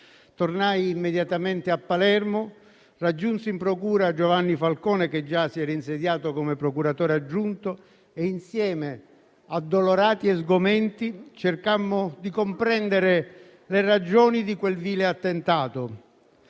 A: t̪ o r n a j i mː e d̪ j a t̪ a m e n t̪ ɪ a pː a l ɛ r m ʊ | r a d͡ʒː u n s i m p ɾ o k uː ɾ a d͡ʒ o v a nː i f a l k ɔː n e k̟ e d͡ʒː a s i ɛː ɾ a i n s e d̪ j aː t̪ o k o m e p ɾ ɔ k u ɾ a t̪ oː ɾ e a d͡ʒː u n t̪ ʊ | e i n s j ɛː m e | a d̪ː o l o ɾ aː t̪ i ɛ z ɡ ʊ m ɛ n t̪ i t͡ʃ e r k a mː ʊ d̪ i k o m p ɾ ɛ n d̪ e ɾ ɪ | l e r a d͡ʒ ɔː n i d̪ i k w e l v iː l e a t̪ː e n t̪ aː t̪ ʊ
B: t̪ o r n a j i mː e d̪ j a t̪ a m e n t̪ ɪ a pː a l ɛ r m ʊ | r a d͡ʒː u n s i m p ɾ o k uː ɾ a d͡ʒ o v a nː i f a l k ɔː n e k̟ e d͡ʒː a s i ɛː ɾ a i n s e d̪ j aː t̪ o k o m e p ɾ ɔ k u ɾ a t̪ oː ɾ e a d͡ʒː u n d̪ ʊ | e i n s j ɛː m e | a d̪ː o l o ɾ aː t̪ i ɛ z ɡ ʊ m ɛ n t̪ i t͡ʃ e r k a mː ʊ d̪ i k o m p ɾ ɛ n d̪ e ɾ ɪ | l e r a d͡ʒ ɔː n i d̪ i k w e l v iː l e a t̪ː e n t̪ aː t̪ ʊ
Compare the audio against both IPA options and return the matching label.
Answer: A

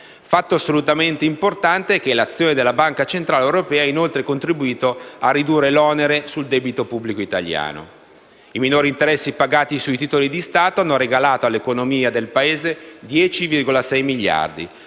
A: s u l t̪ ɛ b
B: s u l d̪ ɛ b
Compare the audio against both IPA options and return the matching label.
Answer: B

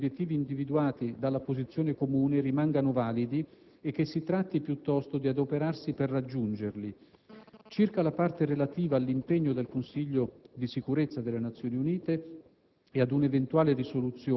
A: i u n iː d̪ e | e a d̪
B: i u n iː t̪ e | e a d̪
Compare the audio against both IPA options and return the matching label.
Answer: B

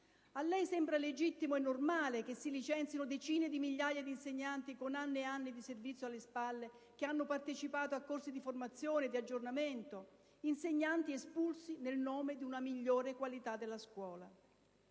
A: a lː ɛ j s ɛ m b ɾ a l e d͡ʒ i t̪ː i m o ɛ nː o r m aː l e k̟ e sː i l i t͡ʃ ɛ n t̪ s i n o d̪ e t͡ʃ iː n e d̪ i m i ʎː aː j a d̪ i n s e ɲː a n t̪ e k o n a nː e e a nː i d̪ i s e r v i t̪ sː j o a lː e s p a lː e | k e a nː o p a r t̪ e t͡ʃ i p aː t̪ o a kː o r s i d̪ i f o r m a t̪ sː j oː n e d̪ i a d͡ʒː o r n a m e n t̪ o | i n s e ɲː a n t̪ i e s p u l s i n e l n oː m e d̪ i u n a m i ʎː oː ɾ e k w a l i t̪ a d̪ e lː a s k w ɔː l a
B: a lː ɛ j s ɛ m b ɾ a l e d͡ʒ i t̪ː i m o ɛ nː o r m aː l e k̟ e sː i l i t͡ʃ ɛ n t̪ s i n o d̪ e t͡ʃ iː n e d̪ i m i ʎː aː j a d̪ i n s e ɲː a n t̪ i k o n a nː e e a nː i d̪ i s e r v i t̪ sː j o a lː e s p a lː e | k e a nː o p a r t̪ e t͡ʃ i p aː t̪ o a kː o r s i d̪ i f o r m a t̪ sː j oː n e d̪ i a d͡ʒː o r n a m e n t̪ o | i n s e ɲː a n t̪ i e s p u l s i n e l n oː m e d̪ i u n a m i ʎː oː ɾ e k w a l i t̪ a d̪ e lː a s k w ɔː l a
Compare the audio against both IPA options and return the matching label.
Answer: B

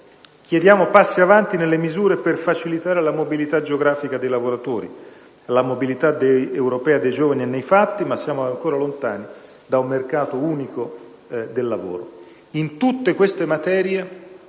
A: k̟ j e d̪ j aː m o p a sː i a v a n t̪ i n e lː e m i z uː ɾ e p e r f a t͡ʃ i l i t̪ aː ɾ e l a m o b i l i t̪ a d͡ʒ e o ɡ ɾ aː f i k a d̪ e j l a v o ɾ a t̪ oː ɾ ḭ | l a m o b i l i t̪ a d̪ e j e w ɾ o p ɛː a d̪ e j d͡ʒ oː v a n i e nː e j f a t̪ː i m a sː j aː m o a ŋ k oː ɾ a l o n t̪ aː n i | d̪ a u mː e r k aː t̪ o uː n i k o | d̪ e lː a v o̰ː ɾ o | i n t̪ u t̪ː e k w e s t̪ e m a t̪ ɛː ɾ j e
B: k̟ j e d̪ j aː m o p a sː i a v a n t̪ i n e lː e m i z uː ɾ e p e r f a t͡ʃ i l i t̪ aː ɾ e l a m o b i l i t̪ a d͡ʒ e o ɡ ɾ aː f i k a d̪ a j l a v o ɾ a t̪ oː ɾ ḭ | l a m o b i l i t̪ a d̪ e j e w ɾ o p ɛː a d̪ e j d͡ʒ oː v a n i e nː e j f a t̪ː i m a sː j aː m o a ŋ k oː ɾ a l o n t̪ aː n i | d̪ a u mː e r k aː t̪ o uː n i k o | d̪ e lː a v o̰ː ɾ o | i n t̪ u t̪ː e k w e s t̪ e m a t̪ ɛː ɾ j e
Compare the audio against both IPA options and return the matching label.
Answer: A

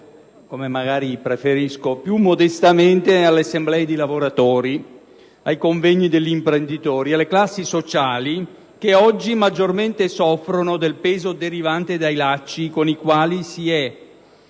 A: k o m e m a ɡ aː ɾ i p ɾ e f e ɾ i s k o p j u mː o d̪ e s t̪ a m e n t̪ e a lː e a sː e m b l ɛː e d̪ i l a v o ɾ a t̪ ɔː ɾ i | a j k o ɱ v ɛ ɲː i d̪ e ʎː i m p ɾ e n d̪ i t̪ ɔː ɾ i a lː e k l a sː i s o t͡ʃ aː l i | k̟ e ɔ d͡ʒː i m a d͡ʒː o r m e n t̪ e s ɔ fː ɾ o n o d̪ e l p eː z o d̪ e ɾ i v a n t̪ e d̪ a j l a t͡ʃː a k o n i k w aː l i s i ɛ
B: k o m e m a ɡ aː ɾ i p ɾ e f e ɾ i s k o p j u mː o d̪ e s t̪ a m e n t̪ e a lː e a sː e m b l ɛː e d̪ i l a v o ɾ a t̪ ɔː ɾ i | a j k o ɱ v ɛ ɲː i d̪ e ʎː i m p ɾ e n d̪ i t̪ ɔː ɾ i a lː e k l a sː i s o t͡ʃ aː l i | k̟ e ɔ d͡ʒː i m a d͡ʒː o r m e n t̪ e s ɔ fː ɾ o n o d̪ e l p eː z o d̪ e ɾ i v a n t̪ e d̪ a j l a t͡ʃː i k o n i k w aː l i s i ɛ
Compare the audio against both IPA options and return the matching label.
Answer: B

